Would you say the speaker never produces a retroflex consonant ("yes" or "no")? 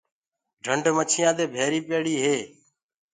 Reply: no